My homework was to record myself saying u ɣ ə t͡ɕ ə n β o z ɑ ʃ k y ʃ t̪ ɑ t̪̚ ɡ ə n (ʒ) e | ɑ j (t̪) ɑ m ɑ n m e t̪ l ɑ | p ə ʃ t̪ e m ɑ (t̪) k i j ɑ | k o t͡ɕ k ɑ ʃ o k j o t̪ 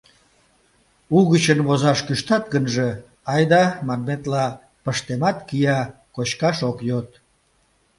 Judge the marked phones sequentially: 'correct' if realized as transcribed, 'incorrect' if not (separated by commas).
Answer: correct, incorrect, correct